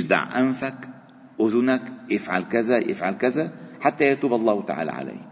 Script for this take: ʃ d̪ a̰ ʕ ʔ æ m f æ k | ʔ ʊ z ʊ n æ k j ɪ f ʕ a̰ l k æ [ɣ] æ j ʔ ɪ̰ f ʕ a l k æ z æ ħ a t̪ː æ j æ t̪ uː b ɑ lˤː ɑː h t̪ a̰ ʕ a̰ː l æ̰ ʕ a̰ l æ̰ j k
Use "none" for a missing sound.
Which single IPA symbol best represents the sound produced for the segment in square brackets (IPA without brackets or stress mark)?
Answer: z